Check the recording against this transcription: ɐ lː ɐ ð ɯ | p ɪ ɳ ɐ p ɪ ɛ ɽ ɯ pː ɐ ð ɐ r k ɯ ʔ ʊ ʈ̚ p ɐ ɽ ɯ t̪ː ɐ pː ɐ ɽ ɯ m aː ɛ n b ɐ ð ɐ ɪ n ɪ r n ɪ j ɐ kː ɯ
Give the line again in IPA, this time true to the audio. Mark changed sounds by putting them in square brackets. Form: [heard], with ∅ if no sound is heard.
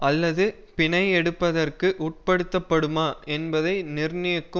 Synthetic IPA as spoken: ɐ lː ɐ ð ɯ | p ɪ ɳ ɐ [∅] ɪ ɛ ɽ ɯ pː ɐ ð ɐ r k ɯ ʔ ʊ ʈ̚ p ɐ ɽ ɯ t̪ː ɐ pː ɐ ɽ ɯ m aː ɛ n b ɐ ð ɐ ɪ n ɪ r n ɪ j ɐ kː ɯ